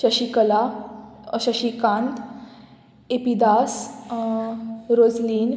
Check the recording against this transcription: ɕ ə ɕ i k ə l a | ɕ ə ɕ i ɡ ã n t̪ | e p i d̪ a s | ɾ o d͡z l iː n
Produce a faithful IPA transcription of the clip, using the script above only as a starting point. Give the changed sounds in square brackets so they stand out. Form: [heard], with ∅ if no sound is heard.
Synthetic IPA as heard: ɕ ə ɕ i k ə l a | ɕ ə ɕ i [k] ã n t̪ | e p i d̪ a s | ɾ o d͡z l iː n